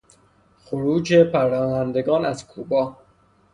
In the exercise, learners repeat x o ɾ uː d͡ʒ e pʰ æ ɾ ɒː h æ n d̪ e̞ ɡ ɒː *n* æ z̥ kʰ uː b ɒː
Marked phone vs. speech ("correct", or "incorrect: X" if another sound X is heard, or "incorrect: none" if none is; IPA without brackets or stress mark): correct